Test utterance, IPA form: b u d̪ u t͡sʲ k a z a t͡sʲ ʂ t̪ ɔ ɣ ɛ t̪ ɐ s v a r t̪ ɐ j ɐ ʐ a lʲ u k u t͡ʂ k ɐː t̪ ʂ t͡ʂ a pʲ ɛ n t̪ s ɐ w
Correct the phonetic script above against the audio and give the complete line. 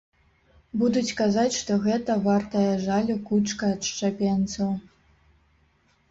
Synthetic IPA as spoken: b u d̪ u t͡sʲ k a z a t͡sʲ ʂ t̪ ɔ ɣ ɛ t̪ ɐ v a r t̪ ɐ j ɐ ʐ a lʲ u k u t͡ʂ k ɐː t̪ ʂ t͡ʂ a pʲ ɛ n t̪ s ɐ w

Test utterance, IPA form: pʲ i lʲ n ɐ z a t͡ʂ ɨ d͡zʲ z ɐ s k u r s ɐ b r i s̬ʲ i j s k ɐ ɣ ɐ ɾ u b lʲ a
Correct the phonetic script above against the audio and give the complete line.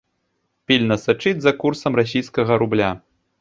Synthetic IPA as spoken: pʲ i lʲ n ɐ s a t͡ʂ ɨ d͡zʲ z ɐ k u r s ɐ m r a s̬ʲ i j s k ɐ ɣ ɐ ɾ u b lʲ a

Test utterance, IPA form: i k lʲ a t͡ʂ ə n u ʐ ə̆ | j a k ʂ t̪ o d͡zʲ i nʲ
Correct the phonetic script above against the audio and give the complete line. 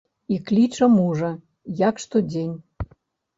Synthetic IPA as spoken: i k lʲ i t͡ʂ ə m u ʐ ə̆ | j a k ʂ t̪ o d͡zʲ e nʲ

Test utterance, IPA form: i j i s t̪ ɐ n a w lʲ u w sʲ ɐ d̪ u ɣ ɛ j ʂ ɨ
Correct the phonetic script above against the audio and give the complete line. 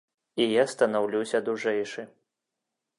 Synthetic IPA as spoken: i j a s t̪ ɐ n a w lʲ u w sʲ ɐ d̪ u ʐ ɛ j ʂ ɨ

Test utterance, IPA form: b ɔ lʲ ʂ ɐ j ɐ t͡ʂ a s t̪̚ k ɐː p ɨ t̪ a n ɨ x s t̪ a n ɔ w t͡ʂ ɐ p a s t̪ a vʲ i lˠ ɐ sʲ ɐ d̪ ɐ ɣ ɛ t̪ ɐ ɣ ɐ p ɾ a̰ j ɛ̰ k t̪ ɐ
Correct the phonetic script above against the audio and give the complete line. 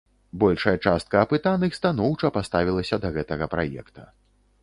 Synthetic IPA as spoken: b ɔ lʲ ʂ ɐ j ɐ t͡ʂ a s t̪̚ k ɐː p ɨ t̪ a n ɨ x s t̪ a n ɔ w t͡ʂ ɐ p a s t̪ a vʲ i lˠ ɐ sʲ ɐ d̪ ɐ ɣ ɛ t̪ ɐ ɣ ɐ p ɾ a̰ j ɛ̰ k t̪ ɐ

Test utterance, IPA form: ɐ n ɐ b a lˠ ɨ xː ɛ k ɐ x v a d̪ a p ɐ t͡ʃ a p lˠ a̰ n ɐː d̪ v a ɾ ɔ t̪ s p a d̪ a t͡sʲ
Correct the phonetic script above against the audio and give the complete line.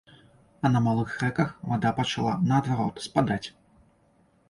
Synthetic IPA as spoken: ɐ n ɐ m a lˠ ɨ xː ɛ k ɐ x v a d̪ a p ɐ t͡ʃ a lˠ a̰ n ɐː d̪ v a ɾ ɔ t̪ s p a d̪ a t͡sʲ

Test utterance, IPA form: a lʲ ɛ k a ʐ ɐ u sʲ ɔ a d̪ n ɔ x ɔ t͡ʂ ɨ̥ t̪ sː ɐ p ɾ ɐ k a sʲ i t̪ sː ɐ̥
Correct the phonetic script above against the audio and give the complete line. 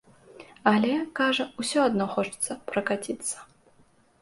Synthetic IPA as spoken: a lʲ ɛ k a ʐ ɐ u sʲ ɔ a d̪ n ɔ x ɔ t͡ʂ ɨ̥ t̪ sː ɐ p ɾ ɐ k a t͡sʲ i t̪ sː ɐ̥

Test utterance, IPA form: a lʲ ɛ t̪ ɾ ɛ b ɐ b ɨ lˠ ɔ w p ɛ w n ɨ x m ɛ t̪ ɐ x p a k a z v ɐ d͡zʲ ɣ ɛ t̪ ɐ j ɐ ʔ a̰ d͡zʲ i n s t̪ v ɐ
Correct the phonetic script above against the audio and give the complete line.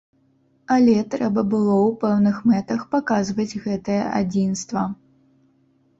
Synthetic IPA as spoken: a lʲ ɛ t̪ ɾ ɛ b ɐ b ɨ lˠ ɔ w p ɛ w n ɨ x m ɛ t̪ ɐ x p a k a z v ɐ d͡zʲ ɣ ɛ t̪ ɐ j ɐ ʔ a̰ d͡zʲ i n s t̪ v ɐ

